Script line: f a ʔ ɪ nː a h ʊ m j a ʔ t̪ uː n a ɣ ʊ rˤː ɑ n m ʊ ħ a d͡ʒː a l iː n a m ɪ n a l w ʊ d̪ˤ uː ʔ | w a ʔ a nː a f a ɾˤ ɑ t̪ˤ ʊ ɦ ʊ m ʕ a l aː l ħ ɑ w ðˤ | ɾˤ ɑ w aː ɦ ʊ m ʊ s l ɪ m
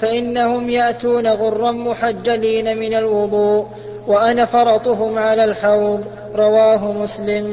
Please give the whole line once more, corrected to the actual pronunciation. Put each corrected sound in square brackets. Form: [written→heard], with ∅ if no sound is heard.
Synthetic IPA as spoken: f a ʔ ɪ nː a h ʊ m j a ʔ t̪ uː n a ɣ ʊ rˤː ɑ n m ʊ ħ a d͡ʒː a l iː n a m ɪ n a l w ʊ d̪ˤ uː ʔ | w a ʔ a [nː→n] a f [a→ɑ] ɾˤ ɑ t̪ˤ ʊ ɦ ʊ m ʕ a l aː l ħ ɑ w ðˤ | ɾˤ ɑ w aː ɦ ʊ m ʊ s l ɪ m